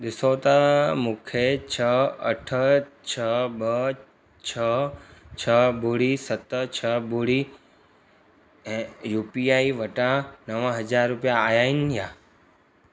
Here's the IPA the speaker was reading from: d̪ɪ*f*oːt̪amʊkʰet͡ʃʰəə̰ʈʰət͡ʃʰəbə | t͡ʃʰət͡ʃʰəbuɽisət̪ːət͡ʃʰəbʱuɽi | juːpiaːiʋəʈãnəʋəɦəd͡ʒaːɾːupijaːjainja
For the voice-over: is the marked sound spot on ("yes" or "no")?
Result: no